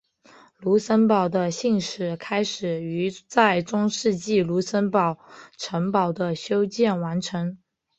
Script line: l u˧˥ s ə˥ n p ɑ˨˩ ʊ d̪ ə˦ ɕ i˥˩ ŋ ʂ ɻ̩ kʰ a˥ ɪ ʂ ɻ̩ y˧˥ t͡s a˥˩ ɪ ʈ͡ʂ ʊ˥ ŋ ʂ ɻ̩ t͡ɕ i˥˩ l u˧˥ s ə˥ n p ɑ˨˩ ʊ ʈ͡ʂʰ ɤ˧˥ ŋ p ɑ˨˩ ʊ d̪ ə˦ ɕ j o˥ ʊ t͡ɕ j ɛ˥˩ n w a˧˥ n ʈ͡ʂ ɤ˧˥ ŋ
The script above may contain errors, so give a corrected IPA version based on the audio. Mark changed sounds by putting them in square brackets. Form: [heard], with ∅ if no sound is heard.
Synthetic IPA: l u˧˥ s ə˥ n p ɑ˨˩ ʊ d̪ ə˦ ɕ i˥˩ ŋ ʂ ɻ̩ kʰ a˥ ɪ ʂ ɻ̩ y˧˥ t͡s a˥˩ ɪ ʈ͡ʂ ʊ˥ ŋ ʂ ɻ̩ t͡ɕ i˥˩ l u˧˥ s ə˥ n p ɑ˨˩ ʊ ʈ͡ʂʰ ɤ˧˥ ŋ p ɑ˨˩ ʊ d̪ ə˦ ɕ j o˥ ʊ t͡ɕ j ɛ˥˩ n w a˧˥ n [ʈ͡ʂʰ] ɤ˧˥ ŋ